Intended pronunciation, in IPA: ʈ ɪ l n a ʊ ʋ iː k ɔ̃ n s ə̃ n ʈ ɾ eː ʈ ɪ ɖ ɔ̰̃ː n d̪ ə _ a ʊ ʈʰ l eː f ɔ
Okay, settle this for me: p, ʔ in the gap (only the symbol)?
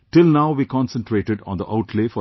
ʔ